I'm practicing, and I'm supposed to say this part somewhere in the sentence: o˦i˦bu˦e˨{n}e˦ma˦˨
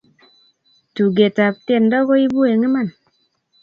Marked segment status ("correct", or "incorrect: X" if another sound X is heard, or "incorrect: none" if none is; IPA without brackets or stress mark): incorrect: ŋ